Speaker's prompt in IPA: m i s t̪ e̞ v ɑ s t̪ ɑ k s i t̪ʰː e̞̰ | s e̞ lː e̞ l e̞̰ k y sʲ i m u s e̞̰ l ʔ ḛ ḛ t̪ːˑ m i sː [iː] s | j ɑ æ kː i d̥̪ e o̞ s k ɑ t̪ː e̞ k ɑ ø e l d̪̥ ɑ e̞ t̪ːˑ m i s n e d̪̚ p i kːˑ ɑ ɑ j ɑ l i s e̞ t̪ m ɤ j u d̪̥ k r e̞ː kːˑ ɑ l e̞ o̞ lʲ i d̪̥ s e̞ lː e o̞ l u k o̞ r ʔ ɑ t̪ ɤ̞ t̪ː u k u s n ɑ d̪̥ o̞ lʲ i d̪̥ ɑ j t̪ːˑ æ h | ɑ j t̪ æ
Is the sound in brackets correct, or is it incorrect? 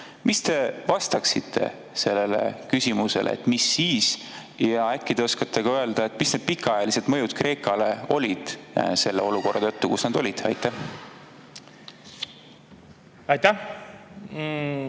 correct